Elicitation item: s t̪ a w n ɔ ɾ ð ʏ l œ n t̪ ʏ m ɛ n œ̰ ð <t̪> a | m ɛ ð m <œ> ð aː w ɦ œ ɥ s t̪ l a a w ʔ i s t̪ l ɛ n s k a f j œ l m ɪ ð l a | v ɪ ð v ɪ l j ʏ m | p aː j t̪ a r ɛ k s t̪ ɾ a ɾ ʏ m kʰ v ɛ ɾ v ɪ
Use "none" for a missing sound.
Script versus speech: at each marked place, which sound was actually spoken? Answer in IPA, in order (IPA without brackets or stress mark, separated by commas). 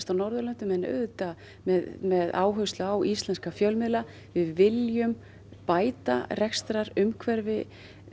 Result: t̪, ɛ